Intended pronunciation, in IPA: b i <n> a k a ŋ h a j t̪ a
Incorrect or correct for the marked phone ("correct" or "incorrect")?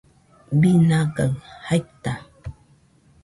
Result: correct